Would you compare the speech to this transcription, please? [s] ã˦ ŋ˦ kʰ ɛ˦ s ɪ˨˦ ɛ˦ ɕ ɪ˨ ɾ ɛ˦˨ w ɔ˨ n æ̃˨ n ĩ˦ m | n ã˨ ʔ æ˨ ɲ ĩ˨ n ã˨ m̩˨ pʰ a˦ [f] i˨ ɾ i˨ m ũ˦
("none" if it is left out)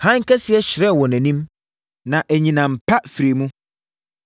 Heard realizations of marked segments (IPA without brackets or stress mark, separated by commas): h, f